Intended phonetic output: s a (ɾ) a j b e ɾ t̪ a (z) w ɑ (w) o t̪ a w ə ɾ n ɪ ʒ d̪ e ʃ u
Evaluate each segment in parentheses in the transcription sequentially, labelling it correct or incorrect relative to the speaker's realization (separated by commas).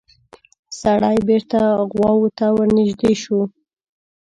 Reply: incorrect, incorrect, correct